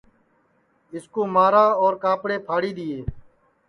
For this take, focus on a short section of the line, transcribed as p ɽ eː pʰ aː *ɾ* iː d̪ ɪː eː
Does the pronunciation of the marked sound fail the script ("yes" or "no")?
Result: yes